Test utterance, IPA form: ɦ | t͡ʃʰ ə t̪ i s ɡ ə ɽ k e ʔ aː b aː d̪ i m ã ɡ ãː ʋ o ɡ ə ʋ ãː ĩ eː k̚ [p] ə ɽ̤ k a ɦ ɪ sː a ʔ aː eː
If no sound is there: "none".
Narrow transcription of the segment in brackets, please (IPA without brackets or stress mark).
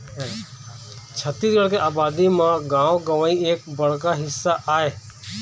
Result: b